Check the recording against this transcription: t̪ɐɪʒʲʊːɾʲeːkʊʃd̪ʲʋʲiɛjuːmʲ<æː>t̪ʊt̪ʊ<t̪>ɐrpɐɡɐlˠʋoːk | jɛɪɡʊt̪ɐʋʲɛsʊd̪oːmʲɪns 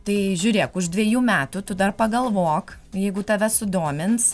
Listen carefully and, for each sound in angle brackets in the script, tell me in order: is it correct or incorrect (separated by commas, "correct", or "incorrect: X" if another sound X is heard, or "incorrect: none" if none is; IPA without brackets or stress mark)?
correct, incorrect: d̪